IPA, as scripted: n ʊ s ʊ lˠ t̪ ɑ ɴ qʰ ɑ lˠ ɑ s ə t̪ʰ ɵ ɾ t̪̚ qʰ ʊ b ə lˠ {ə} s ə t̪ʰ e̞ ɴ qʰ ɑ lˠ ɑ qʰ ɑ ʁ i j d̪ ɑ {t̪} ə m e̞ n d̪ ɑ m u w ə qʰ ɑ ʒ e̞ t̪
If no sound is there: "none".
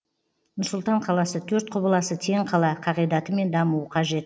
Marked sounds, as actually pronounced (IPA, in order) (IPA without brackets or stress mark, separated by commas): ɑ, t̪